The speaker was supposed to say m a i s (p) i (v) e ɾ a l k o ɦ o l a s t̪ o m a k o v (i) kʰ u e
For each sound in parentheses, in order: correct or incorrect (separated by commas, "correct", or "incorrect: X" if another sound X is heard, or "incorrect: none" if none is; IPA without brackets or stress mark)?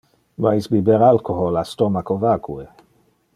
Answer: incorrect: b, incorrect: b, incorrect: a